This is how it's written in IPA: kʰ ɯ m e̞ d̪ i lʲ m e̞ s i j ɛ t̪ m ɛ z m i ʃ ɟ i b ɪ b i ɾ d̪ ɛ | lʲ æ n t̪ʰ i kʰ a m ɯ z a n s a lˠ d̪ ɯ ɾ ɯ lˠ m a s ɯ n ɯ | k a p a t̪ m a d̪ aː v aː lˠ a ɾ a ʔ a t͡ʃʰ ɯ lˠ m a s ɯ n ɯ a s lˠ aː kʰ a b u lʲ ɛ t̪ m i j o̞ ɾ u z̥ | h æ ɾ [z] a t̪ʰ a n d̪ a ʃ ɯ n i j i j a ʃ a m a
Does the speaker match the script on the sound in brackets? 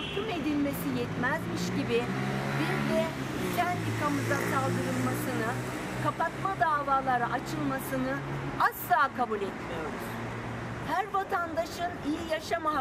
no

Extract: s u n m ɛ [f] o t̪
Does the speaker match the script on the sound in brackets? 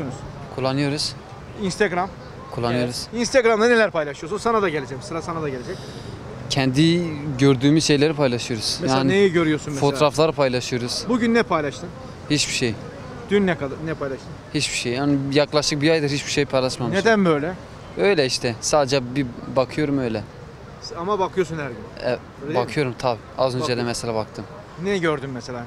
yes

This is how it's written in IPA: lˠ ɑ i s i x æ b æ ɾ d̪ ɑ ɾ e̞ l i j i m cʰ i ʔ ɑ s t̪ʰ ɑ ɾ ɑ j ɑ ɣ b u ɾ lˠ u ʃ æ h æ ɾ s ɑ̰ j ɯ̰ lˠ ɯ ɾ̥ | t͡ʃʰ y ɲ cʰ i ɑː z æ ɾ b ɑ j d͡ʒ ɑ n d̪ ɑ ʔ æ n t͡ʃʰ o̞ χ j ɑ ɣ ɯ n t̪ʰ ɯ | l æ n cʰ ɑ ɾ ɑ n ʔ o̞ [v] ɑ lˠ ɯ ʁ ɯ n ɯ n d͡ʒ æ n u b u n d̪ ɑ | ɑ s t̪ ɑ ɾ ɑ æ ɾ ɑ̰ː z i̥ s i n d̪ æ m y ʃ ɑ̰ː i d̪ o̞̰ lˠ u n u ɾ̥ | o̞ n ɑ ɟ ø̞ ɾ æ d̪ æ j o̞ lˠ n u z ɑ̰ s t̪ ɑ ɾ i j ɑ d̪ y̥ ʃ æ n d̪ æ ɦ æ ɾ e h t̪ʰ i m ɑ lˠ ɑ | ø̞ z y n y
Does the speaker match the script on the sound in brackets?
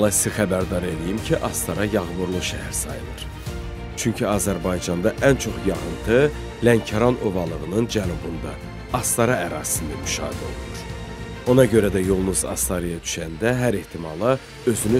yes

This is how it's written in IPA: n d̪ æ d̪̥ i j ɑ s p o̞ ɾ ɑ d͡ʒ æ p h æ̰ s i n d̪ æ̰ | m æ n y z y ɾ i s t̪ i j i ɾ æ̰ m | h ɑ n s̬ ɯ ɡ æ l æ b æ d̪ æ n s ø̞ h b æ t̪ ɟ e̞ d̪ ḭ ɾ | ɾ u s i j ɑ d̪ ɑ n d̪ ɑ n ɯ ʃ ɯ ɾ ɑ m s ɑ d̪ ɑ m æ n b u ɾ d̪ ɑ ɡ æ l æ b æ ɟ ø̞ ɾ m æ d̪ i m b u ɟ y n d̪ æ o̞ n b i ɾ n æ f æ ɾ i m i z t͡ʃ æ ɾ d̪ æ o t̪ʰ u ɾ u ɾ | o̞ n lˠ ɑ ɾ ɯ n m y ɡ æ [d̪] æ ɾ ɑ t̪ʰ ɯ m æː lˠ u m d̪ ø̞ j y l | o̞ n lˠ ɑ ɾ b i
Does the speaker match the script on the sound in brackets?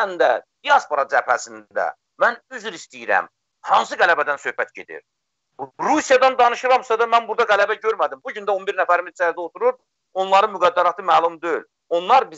no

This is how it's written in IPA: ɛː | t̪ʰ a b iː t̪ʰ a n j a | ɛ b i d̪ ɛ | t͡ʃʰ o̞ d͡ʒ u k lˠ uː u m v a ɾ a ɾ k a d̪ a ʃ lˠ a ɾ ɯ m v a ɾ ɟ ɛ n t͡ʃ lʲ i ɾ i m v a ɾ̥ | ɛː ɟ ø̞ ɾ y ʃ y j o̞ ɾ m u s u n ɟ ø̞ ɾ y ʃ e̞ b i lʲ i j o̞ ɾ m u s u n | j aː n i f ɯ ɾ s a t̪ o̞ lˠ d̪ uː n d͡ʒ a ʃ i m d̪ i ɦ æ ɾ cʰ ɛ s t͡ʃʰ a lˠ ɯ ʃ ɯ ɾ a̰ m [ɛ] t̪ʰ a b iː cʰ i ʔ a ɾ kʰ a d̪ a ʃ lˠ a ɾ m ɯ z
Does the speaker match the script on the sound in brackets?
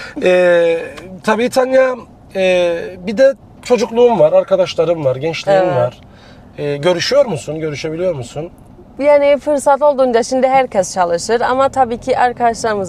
no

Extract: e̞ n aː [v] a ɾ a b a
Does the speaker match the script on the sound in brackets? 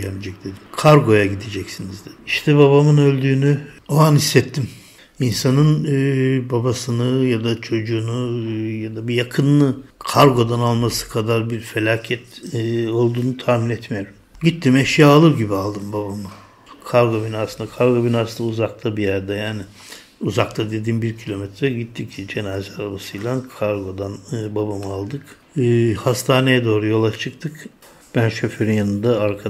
no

